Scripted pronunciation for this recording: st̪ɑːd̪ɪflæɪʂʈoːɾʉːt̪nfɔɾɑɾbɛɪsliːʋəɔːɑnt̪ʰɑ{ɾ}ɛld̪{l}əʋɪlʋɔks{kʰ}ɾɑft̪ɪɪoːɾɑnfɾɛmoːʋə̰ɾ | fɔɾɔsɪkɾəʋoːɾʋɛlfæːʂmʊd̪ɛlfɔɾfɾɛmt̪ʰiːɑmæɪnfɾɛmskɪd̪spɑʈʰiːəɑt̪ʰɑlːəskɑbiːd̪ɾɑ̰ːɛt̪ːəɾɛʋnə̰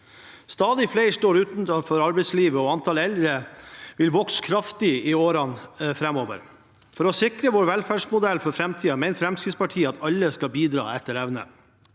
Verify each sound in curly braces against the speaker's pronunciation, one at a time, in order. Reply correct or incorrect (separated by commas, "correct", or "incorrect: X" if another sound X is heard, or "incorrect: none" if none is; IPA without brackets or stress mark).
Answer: incorrect: l, incorrect: ɾ, correct